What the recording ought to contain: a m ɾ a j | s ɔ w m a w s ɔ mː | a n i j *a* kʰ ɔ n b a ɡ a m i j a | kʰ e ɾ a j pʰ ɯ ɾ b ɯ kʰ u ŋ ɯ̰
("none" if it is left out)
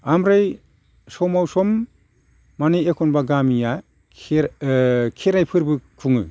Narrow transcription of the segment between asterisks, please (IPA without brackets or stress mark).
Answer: e